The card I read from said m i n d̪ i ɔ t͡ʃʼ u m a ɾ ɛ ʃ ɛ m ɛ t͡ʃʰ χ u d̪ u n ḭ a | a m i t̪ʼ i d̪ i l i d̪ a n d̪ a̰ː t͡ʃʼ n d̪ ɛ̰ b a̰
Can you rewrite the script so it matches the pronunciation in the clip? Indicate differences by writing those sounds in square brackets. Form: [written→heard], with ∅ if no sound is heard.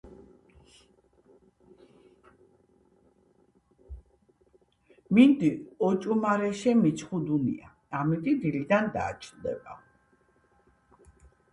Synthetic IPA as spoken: m i n d̪ i ɔ t͡ʃʼ u m a ɾ ɛ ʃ ɛ m [ɛ→i] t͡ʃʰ χ u d̪ u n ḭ a | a m i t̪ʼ i d̪ i l i d̪ a n d̪ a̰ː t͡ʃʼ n d̪ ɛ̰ b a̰